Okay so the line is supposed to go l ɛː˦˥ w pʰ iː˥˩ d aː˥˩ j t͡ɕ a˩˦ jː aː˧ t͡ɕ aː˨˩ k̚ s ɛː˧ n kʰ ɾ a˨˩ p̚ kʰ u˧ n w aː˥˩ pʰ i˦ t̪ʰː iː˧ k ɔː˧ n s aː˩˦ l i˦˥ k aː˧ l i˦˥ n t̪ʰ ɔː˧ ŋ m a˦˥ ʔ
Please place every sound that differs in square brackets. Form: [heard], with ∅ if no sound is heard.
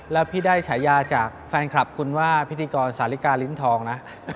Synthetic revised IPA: l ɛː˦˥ w pʰ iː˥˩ d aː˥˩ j [t͡ɕʰ] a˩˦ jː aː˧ t͡ɕ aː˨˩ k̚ [f] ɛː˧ n kʰ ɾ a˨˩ p̚ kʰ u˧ n w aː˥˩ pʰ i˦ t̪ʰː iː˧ k ɔː˧ n s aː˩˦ l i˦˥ k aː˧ l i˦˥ n t̪ʰ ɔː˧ ŋ [n] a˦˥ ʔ